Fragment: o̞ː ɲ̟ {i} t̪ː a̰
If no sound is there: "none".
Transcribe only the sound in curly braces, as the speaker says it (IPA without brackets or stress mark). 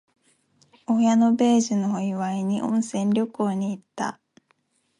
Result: iː